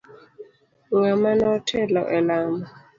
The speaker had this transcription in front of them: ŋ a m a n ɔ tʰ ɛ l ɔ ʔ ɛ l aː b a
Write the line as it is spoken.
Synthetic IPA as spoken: ŋ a m a n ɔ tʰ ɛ l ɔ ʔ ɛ l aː m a